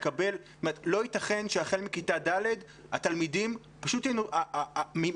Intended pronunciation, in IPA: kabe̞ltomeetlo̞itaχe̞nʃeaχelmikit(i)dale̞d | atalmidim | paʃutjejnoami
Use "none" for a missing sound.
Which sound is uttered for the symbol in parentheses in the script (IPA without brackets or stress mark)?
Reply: a